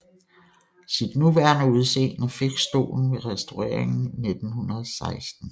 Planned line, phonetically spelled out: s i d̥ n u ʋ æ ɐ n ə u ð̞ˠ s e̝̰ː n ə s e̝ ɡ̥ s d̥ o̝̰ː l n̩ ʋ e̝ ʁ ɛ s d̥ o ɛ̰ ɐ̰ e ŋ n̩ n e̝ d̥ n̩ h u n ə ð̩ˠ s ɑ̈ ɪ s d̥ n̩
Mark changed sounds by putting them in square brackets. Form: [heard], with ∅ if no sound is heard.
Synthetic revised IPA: s i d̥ n u ʋ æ ɐ n ə u ð̞ˠ s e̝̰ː n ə [f] e̝ ɡ̥ s d̥ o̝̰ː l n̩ ʋ e̝ ʁ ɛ s d̥ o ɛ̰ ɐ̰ e ŋ n̩ n e̝ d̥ n̩ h u n [ɐ] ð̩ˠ s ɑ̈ ɪ s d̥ n̩